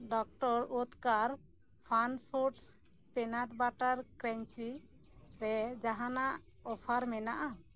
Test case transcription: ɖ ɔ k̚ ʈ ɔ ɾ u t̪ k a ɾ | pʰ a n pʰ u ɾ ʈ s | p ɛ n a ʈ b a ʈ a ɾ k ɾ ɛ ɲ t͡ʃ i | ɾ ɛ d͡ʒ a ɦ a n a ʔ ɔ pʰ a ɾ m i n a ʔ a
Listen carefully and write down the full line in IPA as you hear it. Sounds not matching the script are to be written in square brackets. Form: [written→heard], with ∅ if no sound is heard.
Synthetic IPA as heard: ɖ ɔ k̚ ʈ ɔ ɾ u t̪ k a ɾ | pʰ a n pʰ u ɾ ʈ s | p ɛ n a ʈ b a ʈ a ɾ k ɾ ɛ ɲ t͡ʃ i | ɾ ɛ d͡ʒ a ɦ a n a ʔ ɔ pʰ a ɾ m [i→ɛ] n a ʔ a